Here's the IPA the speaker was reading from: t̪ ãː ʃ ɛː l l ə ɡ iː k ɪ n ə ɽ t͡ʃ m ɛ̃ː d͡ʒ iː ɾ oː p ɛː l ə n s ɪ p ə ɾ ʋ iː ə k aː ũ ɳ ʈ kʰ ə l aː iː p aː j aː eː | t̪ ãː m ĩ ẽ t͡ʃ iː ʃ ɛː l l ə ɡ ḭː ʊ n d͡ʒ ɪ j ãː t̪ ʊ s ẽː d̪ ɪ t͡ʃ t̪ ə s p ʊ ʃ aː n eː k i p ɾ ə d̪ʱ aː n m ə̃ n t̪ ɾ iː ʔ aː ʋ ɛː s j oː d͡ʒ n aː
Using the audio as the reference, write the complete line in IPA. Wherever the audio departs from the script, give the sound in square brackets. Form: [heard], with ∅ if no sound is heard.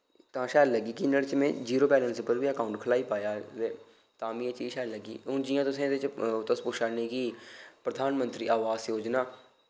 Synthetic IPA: t̪ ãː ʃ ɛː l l ə ɡ iː k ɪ n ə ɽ t͡ʃ m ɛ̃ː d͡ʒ iː ɾ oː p ɛː l ə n s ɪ p ə ɾ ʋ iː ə k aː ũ ɳ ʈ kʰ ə l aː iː p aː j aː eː | t̪ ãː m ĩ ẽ t͡ʃ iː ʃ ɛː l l ə ɡ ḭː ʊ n d͡ʒ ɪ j ãː t̪ ʊ s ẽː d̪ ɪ t͡ʃ t̪ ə s p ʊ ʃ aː n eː k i p ɾ ə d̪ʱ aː n m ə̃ n t̪ ɾ iː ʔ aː ʋ [aː] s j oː d͡ʒ n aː

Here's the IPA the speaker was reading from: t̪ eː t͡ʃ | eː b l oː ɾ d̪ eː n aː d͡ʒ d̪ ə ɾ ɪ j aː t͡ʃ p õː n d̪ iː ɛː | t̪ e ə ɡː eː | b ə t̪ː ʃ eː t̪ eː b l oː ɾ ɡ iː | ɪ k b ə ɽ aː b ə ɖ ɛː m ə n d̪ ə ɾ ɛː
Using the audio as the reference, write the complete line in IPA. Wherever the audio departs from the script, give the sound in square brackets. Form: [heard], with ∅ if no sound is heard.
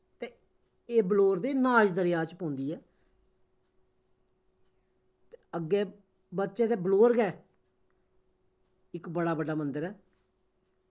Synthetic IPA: t̪ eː [∅] | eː b l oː ɾ d̪ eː n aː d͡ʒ d̪ ə ɾ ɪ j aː t͡ʃ p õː n d̪ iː ɛː | t̪ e ə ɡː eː | b ə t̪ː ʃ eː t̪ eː b l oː ɾ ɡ [ɛː] | ɪ k b ə ɽ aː b ə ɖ [aː] m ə n d̪ ə ɾ ɛː

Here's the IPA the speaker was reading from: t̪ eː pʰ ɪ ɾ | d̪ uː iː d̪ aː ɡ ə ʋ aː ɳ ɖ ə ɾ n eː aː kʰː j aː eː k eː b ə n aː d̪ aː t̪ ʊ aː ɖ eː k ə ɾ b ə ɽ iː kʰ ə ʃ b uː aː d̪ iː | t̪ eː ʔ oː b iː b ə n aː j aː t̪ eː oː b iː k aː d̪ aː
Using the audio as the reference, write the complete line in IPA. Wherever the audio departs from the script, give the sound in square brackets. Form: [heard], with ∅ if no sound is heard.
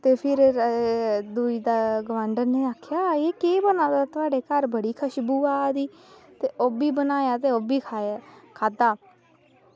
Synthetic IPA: t̪ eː pʰ ɪ ɾ | d̪ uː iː d̪ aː ɡ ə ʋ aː ɳ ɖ ə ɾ n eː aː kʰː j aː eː k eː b ə n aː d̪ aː t̪ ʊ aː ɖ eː k ə ɾ b ə ɽ iː kʰ ə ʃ b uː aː d̪ iː | t̪ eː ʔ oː b iː b ə n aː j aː t̪ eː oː b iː [kʰ] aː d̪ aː

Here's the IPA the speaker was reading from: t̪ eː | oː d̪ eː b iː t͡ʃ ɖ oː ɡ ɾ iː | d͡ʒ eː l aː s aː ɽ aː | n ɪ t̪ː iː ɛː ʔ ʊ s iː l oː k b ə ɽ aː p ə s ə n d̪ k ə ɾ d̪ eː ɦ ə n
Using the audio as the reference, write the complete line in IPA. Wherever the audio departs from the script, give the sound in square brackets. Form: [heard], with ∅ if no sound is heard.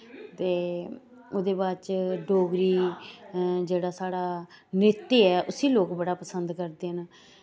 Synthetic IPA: t̪ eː | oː d̪ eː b [aː] t͡ʃ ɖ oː ɡ ɾ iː | d͡ʒ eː [ɽ] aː s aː ɽ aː | n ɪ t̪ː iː ɛː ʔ ʊ s iː l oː k b ə ɽ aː p ə s ə n d̪ k ə ɾ d̪ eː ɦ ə n

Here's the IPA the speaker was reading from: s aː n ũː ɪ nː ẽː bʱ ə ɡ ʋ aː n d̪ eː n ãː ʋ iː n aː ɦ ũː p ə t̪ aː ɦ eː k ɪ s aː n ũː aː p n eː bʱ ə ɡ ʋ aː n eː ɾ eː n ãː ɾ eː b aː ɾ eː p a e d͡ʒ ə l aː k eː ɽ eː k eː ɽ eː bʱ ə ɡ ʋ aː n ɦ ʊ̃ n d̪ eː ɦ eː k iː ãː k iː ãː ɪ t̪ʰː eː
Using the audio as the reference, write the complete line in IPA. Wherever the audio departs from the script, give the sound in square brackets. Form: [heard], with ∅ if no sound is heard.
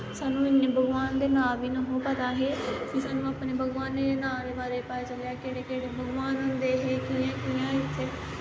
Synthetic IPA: s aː n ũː ɪ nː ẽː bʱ ə ɡ ʋ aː n d̪ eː n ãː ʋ iː n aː ɦ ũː p ə t̪ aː ɦ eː k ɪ s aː n ũː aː p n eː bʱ ə ɡ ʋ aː n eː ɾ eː n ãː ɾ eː b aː ɾ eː p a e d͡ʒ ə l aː k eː ɽ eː k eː ɽ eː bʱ ə ɡ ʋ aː n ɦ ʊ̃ n d̪ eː ɦ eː k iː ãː k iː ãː ɪ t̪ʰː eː

